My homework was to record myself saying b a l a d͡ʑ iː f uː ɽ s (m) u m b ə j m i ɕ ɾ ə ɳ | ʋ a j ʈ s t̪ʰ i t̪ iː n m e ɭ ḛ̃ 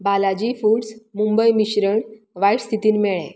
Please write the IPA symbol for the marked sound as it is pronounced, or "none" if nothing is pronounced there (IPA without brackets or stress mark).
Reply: m